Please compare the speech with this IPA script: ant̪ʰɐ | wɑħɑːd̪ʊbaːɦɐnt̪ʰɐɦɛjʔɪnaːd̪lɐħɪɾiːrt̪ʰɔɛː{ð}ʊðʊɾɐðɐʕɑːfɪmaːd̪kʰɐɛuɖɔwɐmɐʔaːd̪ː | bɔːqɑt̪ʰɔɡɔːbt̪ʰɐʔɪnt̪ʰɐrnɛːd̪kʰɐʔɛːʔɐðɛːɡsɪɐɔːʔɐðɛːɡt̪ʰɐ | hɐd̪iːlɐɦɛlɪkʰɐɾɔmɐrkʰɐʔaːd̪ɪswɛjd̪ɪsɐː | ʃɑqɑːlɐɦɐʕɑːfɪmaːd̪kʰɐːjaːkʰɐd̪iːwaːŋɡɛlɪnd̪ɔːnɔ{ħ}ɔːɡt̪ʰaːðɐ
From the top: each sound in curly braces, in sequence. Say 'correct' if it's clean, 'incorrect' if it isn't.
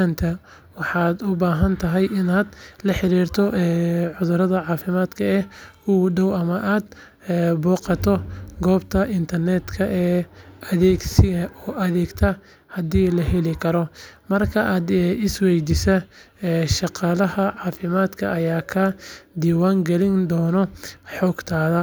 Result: incorrect: ʕ, correct

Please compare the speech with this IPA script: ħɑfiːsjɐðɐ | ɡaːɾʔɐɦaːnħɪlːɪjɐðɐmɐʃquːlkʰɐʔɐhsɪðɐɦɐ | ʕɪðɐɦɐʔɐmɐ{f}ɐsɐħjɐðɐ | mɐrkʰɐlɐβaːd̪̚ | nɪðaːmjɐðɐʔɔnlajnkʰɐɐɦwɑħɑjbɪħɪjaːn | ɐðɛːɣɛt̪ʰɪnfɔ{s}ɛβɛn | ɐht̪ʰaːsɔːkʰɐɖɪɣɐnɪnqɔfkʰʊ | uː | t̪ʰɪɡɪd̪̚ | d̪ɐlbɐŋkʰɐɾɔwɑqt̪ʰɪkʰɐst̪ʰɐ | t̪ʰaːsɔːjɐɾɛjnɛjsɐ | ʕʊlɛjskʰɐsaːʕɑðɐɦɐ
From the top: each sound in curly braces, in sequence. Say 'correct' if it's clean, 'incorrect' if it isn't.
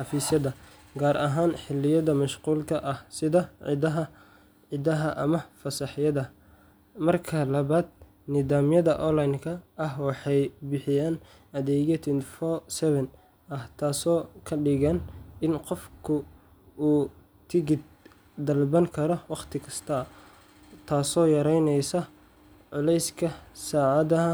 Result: correct, correct

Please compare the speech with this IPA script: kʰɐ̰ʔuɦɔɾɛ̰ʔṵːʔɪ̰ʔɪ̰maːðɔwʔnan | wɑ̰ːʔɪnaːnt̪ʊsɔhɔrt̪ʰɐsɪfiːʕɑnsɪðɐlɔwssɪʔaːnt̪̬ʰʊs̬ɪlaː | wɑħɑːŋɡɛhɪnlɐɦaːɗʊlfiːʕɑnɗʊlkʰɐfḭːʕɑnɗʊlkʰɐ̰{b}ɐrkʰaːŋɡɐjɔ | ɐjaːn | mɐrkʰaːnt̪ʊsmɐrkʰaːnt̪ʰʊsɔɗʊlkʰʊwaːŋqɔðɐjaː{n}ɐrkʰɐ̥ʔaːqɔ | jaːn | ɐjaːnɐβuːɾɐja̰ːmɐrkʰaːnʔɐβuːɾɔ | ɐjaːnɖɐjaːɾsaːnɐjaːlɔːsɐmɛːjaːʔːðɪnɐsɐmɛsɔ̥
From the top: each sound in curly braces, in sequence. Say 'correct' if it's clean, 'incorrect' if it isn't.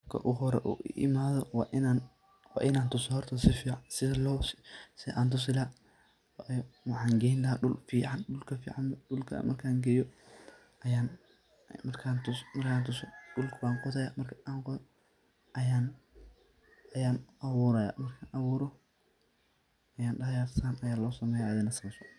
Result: incorrect: m, incorrect: m

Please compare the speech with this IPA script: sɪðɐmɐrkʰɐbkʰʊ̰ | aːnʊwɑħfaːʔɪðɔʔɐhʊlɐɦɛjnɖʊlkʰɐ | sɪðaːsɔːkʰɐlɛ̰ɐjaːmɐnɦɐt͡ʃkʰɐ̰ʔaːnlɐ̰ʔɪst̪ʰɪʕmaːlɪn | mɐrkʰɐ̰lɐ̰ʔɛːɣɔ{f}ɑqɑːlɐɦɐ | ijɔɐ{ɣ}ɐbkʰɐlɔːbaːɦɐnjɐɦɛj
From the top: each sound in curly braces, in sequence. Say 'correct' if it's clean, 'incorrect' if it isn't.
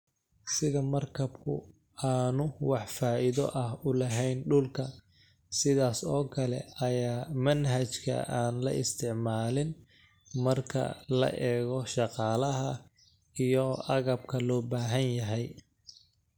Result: incorrect: ʃ, correct

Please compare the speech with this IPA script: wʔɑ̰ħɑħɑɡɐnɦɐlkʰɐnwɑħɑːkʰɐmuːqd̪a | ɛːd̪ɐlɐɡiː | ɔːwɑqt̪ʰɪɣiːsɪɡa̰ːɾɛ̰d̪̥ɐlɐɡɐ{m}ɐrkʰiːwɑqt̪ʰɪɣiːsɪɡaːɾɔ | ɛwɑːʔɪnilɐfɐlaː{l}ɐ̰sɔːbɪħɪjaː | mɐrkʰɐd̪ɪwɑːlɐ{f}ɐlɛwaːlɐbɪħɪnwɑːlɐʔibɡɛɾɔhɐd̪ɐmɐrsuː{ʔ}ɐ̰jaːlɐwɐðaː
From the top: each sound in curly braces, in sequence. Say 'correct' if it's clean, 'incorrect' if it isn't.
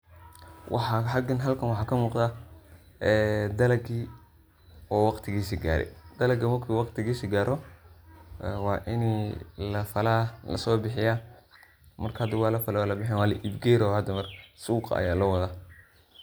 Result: correct, correct, correct, incorrect: q

